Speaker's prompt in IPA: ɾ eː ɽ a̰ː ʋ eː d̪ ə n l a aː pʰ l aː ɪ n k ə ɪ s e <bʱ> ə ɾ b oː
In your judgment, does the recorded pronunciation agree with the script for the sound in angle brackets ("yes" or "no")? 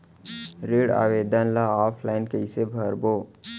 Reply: yes